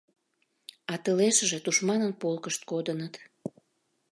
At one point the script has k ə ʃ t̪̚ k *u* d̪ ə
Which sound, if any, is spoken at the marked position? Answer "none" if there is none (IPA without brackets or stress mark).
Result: o